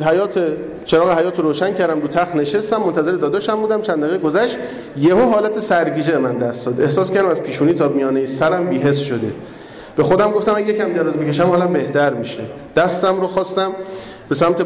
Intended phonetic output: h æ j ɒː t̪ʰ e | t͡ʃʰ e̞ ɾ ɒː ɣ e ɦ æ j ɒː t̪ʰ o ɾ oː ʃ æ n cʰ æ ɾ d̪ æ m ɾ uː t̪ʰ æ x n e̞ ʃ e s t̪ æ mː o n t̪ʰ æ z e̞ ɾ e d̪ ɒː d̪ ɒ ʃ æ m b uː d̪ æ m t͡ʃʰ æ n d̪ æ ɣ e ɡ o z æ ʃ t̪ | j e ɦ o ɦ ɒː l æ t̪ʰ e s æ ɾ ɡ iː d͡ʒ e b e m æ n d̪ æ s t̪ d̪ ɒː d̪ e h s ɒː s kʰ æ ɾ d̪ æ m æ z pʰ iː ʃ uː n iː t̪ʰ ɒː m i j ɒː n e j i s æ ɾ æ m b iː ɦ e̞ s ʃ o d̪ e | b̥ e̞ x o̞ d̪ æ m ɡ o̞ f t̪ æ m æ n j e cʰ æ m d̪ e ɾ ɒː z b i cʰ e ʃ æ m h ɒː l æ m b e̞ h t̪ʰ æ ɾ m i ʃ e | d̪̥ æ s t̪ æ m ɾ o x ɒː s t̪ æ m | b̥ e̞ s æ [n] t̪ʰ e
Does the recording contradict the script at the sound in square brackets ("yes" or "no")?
yes